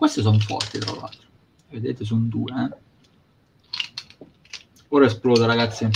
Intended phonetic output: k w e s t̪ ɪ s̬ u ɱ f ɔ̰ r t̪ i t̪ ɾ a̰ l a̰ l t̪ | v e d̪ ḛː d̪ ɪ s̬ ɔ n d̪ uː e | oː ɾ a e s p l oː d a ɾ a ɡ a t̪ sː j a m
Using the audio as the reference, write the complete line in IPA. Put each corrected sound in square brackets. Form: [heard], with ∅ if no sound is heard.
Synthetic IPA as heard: k w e s t̪ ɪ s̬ [ɔ] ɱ f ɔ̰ r t̪ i t̪ ɾ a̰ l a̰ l t̪ | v e d̪ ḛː [t̪] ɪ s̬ [u] n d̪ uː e | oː ɾ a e s p l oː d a ɾ a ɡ a t̪ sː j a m